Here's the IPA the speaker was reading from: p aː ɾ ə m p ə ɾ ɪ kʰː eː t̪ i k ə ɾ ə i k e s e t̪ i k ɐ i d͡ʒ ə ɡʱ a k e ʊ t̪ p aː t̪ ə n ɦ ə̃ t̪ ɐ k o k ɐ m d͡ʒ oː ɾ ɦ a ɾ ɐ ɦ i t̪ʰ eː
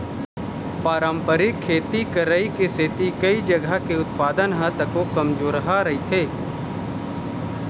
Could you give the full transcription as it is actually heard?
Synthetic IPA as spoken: p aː ɾ ə m p ə ɾ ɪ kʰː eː t̪ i k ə ɾ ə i k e s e t̪ i k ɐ i d͡ʒ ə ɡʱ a k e ʊ t̪ p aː d̪ ə n ɦ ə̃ t̪ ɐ k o k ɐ m d͡ʒ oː ɾ ɦ a ɾ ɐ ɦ i t̪ʰ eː